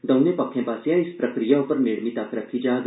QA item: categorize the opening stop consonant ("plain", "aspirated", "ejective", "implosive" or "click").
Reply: plain